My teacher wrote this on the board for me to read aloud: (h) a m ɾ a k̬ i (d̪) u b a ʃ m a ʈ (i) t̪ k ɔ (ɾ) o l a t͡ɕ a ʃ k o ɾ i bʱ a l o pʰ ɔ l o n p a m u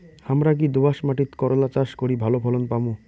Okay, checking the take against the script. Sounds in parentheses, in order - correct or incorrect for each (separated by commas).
correct, correct, correct, correct